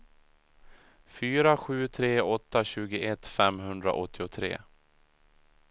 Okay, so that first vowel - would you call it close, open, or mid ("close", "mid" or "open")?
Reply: close